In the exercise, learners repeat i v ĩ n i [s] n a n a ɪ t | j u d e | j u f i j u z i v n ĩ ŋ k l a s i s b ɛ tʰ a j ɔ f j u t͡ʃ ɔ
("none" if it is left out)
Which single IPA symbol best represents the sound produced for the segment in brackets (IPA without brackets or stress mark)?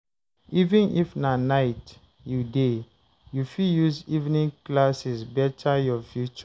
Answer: f